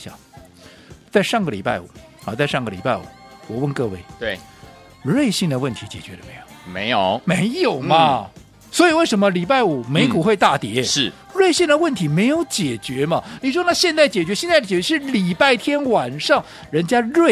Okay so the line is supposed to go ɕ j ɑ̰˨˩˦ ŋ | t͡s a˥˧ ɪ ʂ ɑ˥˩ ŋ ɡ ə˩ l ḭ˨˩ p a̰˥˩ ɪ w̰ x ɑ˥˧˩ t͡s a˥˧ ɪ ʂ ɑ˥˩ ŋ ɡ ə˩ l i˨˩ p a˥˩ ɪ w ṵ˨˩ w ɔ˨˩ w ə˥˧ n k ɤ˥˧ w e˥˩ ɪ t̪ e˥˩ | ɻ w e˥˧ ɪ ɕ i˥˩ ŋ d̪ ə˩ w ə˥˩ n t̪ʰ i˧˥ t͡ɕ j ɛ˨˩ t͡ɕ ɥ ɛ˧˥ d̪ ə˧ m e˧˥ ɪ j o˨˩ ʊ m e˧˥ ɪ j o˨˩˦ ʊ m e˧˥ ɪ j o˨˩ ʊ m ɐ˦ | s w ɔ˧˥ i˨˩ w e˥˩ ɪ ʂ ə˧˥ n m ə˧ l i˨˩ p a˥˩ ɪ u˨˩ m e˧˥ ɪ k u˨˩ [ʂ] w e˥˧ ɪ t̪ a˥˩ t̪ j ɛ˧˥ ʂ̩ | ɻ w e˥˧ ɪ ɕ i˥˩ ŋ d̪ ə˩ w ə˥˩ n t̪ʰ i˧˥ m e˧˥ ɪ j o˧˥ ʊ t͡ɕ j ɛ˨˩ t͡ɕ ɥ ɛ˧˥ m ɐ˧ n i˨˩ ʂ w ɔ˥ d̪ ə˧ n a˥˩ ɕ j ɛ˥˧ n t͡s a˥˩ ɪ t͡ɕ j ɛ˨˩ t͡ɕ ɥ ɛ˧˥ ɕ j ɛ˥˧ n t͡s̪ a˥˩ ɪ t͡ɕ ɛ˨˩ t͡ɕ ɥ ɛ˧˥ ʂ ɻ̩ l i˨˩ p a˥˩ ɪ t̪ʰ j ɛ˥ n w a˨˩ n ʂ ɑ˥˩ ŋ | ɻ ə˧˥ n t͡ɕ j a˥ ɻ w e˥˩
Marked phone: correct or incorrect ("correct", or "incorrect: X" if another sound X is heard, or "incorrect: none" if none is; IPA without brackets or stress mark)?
incorrect: x